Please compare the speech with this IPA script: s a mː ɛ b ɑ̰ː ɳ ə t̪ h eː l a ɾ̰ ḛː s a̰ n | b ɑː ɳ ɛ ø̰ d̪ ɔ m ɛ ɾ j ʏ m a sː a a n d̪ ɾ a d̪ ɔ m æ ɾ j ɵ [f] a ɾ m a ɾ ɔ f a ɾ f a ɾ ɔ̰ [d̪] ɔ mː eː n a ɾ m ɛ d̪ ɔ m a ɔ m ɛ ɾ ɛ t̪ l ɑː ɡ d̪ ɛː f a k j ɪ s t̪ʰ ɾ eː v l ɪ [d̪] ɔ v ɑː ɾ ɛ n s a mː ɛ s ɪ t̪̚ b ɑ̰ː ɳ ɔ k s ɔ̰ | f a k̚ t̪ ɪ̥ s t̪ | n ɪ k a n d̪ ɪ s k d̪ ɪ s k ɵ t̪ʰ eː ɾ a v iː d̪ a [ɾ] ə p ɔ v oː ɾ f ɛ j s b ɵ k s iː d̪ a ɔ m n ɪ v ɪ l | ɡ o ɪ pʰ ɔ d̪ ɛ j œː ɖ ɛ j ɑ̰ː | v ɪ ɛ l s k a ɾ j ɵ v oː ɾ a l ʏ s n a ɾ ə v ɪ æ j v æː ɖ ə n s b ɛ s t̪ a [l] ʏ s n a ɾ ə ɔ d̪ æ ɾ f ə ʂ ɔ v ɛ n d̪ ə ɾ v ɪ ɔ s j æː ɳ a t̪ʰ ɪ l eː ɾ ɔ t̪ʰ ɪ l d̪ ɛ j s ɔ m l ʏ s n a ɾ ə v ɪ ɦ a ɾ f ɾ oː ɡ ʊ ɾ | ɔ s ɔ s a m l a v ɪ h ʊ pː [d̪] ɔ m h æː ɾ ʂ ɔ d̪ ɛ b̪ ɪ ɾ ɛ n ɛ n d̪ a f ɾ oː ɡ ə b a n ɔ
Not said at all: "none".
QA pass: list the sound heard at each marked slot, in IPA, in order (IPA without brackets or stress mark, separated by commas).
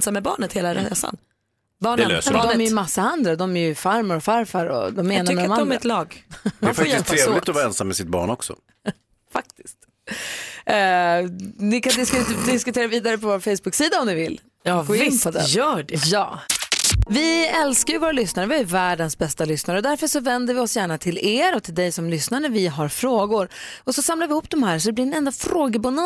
f, d̪, t̪, ɾ, l, d̪